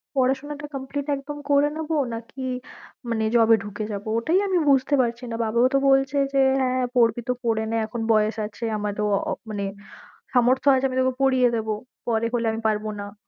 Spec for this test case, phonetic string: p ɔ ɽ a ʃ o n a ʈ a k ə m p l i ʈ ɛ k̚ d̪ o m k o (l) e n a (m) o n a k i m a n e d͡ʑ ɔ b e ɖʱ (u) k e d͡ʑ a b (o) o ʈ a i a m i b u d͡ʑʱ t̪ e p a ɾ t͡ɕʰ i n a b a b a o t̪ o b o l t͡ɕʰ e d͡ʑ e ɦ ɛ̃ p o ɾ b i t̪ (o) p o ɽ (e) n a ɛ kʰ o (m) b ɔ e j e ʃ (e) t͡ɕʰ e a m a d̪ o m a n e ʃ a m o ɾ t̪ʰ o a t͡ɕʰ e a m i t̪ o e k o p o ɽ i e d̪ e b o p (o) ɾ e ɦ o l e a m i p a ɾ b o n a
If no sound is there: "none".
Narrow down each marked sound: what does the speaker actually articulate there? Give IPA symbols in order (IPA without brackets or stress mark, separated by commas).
ɾ, b, u, o, o, e, n, a, ɔ